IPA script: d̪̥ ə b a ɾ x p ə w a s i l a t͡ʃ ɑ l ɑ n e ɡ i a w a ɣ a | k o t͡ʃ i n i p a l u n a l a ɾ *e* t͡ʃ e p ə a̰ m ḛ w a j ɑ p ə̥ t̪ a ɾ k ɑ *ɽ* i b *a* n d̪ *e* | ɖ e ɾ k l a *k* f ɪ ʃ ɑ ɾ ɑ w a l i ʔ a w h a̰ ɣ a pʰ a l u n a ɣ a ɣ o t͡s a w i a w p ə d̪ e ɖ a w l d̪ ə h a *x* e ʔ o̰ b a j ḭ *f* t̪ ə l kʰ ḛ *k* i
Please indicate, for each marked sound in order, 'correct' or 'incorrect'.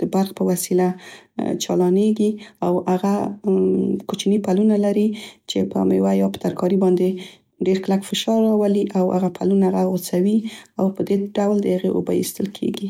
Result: incorrect: i, incorrect: ɾ, incorrect: ɑ, correct, correct, incorrect: ɣ, incorrect: s, incorrect: ɡ

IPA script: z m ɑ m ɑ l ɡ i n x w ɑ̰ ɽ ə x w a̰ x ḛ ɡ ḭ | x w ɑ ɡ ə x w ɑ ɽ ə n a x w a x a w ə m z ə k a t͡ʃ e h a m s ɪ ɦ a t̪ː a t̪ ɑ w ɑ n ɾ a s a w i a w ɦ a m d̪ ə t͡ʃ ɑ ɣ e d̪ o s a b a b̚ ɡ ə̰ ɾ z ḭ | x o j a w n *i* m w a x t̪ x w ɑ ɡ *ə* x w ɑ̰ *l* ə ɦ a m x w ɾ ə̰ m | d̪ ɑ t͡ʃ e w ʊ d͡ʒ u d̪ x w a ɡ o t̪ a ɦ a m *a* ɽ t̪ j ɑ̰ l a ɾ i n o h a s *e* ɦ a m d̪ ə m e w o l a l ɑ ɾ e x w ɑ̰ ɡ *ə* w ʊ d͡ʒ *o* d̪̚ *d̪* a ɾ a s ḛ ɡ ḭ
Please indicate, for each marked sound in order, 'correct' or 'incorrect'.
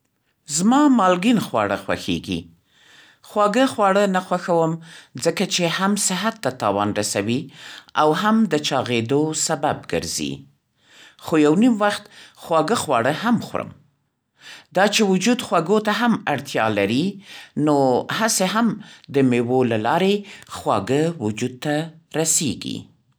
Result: correct, correct, incorrect: ɽ, correct, correct, correct, incorrect: u, incorrect: t̪

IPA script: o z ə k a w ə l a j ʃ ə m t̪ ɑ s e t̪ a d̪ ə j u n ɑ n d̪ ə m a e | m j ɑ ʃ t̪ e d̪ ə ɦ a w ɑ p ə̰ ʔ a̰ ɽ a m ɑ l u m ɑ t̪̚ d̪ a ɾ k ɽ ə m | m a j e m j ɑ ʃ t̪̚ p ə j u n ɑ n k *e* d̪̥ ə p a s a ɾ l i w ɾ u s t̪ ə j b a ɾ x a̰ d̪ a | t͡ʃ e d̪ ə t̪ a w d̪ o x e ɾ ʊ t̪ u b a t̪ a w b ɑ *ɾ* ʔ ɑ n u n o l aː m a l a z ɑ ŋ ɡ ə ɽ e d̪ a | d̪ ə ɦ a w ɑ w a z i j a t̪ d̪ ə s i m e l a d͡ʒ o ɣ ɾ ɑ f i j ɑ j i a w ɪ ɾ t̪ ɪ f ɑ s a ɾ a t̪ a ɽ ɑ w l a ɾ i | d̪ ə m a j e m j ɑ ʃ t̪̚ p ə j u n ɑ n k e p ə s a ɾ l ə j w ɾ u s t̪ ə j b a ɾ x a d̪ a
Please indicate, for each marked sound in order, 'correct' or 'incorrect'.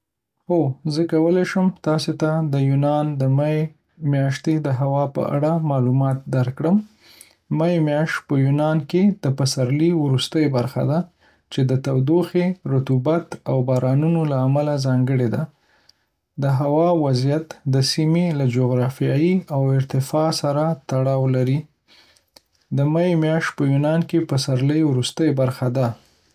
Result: correct, correct

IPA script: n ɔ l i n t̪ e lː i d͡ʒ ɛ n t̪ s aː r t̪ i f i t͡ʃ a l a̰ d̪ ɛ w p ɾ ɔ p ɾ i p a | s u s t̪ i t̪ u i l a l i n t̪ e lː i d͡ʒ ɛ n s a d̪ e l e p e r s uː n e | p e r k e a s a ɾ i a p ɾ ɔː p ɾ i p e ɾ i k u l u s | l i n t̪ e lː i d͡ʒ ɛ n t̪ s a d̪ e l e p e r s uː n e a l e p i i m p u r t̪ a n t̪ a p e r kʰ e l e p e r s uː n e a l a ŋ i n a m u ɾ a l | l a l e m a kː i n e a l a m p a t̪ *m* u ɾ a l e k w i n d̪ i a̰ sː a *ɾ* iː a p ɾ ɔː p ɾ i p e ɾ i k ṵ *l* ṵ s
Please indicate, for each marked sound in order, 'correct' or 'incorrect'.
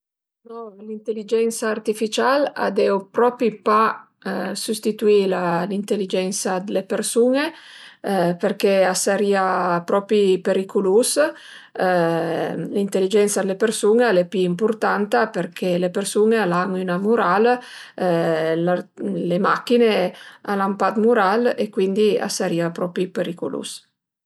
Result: correct, correct, correct

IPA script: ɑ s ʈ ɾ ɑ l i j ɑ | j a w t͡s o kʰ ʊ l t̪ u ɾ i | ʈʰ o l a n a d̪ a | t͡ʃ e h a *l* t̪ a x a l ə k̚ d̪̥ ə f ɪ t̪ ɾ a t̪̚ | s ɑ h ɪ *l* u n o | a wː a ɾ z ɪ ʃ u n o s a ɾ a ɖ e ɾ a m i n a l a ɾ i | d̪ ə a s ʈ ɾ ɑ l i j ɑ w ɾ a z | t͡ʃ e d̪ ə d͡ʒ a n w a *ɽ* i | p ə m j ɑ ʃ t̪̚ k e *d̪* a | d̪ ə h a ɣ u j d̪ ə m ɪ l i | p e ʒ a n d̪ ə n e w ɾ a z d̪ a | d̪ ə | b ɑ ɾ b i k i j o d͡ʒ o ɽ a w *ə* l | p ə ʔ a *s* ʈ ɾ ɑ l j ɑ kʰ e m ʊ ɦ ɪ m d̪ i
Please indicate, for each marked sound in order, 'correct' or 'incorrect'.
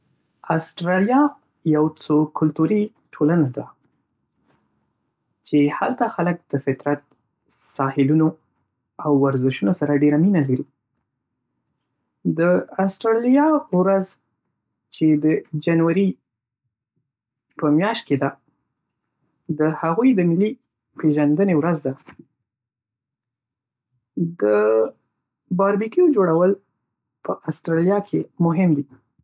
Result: correct, correct, incorrect: ɾ, correct, correct, correct

